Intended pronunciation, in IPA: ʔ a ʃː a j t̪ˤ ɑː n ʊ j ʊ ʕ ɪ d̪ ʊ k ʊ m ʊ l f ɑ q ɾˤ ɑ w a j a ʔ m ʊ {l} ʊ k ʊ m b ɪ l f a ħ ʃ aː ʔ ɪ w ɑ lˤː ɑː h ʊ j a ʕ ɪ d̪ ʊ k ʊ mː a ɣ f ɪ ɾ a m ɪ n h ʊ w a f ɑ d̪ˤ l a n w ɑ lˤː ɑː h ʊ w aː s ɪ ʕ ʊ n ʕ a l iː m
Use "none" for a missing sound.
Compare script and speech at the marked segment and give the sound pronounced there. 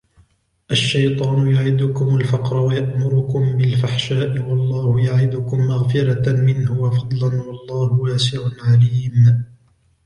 ɾ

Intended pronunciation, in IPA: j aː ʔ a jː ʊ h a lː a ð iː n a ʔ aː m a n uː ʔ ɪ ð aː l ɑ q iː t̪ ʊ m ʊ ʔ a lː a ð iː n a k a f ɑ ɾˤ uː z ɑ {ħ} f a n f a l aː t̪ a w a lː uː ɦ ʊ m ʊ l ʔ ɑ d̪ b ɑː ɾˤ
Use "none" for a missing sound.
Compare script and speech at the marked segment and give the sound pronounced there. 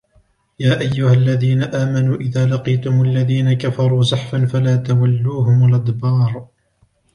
ħ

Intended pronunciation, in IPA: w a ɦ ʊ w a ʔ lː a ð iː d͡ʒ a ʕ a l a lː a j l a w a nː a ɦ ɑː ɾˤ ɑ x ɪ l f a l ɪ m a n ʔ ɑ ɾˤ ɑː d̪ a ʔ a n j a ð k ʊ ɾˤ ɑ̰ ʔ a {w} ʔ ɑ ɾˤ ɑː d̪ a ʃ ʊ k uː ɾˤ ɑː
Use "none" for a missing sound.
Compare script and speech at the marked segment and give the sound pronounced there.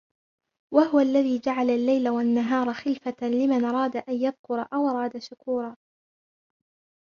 w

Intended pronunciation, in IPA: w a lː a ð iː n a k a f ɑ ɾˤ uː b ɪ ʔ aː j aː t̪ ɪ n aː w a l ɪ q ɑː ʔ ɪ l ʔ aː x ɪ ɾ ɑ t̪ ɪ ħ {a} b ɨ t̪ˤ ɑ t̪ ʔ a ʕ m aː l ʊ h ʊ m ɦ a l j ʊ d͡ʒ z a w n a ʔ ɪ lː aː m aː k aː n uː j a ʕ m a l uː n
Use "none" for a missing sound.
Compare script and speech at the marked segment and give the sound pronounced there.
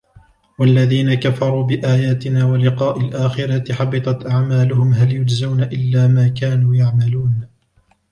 ɑ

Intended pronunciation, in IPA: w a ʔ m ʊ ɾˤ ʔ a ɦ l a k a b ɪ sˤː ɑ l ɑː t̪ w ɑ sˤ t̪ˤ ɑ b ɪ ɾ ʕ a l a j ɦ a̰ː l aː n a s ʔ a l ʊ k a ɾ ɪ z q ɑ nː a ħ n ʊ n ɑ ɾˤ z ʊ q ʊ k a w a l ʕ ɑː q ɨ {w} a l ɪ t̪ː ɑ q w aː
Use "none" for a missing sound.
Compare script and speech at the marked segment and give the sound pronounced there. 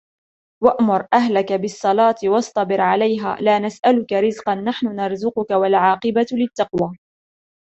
b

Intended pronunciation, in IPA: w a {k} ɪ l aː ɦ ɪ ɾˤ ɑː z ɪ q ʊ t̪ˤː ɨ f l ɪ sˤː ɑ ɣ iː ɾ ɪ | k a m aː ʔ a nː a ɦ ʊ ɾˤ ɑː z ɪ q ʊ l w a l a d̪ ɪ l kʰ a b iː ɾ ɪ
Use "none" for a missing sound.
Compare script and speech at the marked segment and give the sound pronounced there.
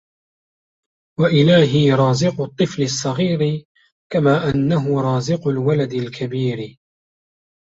ʔ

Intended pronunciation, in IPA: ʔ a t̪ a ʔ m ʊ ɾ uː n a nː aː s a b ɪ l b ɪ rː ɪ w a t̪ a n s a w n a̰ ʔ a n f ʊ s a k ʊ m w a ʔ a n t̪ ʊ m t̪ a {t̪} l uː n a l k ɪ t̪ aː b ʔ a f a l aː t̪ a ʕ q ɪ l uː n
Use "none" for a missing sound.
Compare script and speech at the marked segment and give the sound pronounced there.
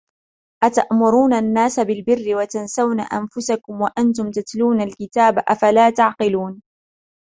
t̪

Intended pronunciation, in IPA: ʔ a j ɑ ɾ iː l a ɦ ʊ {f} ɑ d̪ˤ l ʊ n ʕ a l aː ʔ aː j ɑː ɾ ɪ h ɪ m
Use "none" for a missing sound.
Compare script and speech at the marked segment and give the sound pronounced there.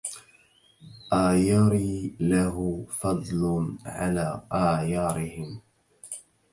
f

